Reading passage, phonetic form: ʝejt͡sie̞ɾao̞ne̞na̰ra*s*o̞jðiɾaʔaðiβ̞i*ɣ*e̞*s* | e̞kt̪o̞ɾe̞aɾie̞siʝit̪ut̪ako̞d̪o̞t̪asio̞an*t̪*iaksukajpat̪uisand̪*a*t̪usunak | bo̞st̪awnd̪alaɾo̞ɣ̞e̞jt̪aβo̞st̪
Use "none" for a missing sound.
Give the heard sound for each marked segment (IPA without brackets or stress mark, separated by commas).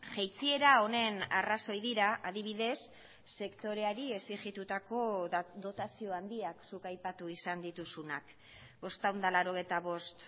s, ð, sː, d̪, i